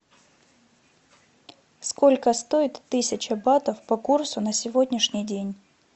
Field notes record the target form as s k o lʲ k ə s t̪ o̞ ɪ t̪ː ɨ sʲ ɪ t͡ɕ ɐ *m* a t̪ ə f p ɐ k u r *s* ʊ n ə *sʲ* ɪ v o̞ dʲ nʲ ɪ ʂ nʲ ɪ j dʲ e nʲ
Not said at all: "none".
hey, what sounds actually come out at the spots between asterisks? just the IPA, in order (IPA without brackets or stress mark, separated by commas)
b, s, sʲ